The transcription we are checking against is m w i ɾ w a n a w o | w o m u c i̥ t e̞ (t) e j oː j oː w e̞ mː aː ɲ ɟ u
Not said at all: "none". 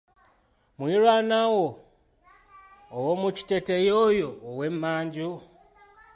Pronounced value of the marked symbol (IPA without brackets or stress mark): t